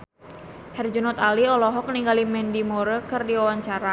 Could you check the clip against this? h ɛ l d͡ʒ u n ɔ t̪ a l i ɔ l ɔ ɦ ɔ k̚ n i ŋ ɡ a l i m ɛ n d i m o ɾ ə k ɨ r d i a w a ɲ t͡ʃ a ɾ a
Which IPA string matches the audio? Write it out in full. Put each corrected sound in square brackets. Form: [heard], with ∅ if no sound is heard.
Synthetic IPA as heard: h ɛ [r] d͡ʒ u n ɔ t̪ a l i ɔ l ɔ ɦ ɔ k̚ n i ŋ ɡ a l i m ɛ n d i m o ɾ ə k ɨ r d i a w a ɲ t͡ʃ a ɾ a